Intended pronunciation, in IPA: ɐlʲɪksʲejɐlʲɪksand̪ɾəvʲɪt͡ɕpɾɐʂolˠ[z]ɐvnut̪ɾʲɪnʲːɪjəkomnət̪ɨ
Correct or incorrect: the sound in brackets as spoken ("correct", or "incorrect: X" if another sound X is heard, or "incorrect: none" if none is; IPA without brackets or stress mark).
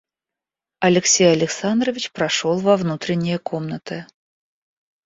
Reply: incorrect: v